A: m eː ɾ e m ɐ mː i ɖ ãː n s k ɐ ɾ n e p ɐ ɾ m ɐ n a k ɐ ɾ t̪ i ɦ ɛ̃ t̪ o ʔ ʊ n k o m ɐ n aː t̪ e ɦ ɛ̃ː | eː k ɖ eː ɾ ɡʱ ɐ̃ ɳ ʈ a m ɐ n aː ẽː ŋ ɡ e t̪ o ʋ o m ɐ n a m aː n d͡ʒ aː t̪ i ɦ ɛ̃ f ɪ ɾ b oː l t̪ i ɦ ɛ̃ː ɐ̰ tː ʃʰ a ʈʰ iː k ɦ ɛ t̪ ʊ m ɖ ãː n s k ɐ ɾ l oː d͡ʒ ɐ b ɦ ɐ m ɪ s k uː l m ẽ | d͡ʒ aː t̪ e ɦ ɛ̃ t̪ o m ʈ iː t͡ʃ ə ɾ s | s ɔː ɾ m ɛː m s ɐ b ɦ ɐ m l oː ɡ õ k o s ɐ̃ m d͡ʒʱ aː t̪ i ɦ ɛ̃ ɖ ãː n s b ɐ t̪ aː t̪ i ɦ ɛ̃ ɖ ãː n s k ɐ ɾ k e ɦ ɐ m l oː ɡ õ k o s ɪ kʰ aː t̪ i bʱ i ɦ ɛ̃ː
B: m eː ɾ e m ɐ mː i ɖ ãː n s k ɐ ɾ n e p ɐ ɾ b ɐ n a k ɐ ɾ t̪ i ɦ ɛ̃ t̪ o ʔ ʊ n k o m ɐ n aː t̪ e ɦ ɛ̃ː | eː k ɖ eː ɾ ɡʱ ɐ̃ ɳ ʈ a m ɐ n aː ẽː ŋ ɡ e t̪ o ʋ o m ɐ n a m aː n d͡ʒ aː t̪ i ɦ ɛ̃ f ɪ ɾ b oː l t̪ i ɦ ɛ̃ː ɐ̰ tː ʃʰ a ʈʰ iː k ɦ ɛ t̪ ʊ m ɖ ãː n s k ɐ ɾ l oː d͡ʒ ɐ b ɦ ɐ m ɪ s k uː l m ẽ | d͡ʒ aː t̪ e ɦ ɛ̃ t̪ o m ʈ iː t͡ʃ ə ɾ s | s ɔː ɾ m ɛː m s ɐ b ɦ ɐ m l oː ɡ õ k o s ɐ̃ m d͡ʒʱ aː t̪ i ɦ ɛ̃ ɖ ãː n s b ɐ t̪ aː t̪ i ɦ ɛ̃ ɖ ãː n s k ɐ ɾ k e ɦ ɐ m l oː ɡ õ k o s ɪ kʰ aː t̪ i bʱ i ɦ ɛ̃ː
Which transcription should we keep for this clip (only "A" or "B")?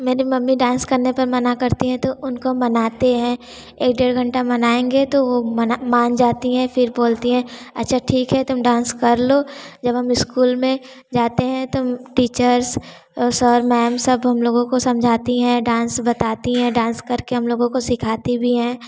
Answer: A